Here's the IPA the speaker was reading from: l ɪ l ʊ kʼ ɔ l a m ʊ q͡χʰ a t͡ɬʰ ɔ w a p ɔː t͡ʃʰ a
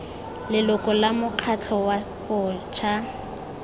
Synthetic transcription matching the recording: l ɪ l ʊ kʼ ɔ l a m ʊ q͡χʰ a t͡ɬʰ ɔ w a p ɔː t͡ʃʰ a